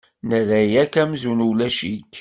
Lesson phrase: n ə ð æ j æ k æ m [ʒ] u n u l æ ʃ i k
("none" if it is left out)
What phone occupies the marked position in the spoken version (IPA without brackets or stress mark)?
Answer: z